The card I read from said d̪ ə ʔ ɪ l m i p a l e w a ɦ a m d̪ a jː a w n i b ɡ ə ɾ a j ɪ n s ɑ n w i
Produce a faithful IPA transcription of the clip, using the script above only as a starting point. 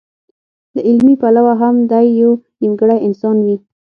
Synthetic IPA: d̪ ə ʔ ɪ l m i p a l a w a ɦ a m d̪ a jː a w n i m ɡ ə ɽ a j ɪ n s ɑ n w i